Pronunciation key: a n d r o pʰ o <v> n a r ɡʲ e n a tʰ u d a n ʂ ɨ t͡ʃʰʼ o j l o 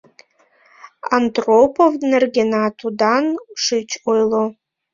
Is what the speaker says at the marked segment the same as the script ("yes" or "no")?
yes